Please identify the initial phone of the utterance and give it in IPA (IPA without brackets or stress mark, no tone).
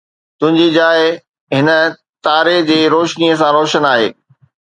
t̪